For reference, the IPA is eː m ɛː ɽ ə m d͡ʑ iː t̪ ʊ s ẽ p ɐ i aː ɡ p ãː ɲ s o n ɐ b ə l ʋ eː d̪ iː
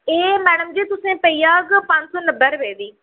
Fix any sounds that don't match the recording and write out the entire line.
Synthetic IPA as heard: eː m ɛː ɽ ə m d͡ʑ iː t̪ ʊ s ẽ p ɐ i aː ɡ p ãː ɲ s o n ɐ b ə ɾ ʋ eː d̪ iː